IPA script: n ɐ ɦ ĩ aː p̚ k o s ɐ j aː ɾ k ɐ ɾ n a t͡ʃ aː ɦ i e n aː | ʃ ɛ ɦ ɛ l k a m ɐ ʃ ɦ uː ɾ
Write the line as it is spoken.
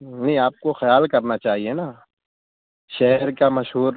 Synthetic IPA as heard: n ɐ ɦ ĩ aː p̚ k o x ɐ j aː l k ɐ ɾ n a t͡ʃ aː ɦ i e n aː | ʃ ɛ ɦ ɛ ɾ k a m ɐ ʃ ɦ uː ɾ

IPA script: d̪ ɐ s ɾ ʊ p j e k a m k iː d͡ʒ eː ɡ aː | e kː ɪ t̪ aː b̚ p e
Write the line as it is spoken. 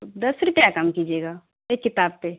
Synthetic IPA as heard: d̪ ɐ s ɾ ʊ p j a k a m k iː d͡ʒ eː ɡ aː | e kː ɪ t̪ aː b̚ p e

